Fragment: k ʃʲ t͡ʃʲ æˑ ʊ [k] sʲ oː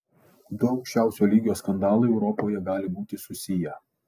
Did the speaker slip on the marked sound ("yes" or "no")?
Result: yes